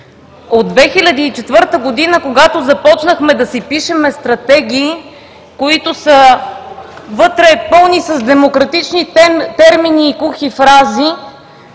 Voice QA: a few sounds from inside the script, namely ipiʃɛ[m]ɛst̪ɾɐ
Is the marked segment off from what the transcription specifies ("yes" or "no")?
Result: no